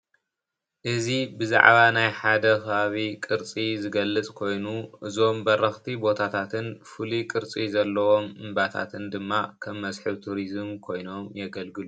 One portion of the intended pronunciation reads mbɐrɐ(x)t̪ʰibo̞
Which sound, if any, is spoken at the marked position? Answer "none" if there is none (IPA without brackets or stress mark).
x